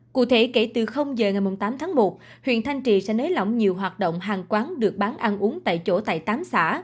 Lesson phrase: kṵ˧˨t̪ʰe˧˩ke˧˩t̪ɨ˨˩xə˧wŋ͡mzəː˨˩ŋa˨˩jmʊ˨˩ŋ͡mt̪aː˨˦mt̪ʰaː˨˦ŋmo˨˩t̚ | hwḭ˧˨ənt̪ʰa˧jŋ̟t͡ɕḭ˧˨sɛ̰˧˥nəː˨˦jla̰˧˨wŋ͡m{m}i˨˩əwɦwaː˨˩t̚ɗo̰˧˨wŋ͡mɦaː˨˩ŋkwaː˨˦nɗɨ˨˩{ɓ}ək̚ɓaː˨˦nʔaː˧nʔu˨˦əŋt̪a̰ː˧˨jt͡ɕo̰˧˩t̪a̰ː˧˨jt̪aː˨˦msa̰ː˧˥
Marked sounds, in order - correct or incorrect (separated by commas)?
incorrect, incorrect